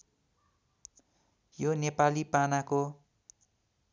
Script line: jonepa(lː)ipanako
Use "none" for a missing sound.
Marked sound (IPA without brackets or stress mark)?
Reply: l